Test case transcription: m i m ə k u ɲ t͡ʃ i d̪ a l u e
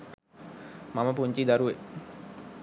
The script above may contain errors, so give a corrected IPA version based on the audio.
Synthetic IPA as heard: m a m ə p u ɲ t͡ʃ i d̪ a ɾ u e